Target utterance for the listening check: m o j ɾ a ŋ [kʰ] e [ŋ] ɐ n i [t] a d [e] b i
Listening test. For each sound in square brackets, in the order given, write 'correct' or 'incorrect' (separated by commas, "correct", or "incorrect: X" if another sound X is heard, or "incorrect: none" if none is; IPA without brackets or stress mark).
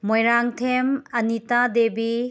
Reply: incorrect: tʰ, incorrect: m, correct, correct